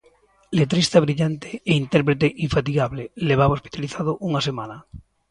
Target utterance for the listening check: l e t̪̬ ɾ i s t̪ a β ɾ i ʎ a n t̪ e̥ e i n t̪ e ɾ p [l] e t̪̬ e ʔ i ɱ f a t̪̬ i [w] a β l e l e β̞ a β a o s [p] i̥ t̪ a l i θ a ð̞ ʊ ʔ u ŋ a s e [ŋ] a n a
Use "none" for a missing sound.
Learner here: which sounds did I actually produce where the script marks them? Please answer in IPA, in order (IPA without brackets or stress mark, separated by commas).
ɾ, ɣ, p, m